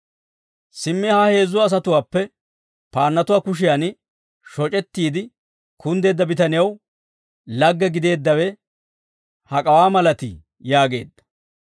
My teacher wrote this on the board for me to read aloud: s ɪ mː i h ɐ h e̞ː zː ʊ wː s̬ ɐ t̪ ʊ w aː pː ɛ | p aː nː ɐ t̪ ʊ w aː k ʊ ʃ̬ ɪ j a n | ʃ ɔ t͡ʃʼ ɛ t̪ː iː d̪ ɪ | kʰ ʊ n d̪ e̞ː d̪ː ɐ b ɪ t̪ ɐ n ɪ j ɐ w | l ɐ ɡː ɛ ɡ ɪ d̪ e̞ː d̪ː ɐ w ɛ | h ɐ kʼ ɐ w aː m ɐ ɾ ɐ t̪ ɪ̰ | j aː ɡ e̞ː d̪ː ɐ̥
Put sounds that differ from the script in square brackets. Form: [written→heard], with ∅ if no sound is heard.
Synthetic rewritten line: s ɪ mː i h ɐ h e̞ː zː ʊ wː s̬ ɐ t̪ ʊ w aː pː ɛ | p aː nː ɐ t̪ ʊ w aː k ʊ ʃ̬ ɪ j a n | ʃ ɔ t͡ʃʼ ɛ t̪ː iː d̪ ɪ | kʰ ʊ n d̪ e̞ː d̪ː ɐ b ɪ t̪ ɐ n ɪ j ɐ w | l ɐ ɡː ɛ ɡ ɪ d̪ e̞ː d̪ː ɐ w ɛ | h ɐ kʼ ɐ w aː m ɐ [ɾ→l] ɐ t̪ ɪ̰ | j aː ɡ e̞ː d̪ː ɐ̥

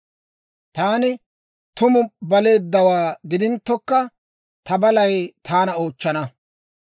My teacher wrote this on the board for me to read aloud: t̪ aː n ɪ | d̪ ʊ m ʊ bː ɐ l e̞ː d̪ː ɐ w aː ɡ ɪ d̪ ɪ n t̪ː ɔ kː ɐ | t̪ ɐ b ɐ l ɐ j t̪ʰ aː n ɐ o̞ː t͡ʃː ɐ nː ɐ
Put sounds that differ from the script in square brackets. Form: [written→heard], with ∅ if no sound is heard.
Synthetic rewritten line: t̪ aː n ɪ | [d̪→t̪] ʊ m ʊ [bː→b] ɐ l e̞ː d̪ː ɐ w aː ɡ ɪ d̪ ɪ n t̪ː ɔ kː ɐ | t̪ ɐ b ɐ l ɐ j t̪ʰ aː n ɐ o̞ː t͡ʃː ɐ [nː→n] ɐ

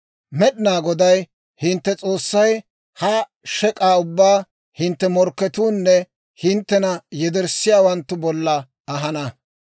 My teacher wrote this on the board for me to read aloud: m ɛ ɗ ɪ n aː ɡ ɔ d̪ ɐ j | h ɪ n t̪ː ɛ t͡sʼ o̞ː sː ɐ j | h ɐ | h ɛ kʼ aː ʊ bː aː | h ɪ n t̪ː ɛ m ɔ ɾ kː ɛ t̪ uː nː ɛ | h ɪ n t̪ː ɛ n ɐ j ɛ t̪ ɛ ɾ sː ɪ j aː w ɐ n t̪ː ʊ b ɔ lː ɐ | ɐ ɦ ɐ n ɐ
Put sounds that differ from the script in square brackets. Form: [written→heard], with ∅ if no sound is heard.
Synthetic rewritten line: m ɛ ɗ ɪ n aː ɡ ɔ d̪ ɐ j | h ɪ n t̪ː ɛ t͡sʼ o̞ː sː ɐ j | h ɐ | [h→ʃ] ɛ kʼ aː ʊ bː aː | h ɪ n t̪ː ɛ m ɔ ɾ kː ɛ t̪ uː nː ɛ | h ɪ n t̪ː ɛ n ɐ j ɛ [t̪→d̪] ɛ ɾ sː ɪ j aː w ɐ n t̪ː ʊ b ɔ lː ɐ | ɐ ɦ ɐ n ɐ

